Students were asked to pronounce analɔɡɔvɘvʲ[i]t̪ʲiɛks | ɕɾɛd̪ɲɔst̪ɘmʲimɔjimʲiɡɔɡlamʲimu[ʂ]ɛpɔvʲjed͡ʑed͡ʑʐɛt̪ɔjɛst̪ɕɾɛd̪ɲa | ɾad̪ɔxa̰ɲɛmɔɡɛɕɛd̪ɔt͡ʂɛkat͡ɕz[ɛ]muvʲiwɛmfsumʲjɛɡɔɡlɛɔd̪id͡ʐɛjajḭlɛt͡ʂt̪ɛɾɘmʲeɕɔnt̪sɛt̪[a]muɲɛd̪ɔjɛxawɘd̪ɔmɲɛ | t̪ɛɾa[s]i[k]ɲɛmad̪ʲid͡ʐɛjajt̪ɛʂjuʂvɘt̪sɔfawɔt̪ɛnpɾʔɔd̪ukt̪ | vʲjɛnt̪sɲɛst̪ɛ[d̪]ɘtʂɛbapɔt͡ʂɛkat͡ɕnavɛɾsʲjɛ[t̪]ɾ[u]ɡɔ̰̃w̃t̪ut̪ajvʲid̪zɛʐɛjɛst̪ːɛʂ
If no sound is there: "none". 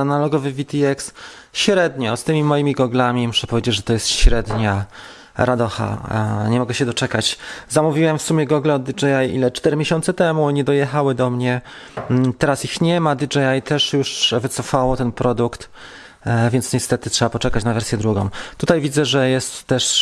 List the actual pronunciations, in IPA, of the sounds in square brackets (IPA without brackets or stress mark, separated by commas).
i, ʂ, a, ɛ, s, x, t̪, d̪, u